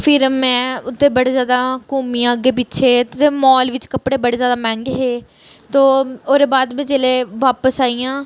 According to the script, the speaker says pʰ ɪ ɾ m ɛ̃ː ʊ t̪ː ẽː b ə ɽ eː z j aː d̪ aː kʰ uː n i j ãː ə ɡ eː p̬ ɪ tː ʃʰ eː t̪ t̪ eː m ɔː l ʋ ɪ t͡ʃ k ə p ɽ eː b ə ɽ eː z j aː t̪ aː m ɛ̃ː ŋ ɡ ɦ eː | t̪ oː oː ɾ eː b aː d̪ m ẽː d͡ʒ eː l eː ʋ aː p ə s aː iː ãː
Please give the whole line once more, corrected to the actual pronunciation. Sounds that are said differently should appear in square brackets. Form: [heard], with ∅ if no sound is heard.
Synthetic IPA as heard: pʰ ɪ ɾ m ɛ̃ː ʊ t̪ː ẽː b ə ɽ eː z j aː d̪ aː [k] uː [m] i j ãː ə ɡ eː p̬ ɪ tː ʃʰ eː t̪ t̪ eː m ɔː l ʋ ɪ t͡ʃ k ə p ɽ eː b ə ɽ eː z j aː [d̪] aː m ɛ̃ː ŋ ɡ ɦ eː | t̪ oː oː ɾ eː b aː d̪ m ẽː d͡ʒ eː l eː ʋ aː p ə s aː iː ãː